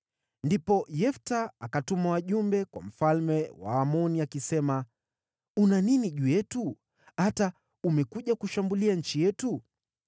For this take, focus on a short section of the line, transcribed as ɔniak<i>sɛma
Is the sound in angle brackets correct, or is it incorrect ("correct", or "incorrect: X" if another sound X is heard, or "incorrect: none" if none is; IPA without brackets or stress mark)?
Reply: correct